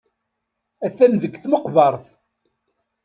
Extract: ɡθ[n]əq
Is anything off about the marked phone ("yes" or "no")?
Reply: yes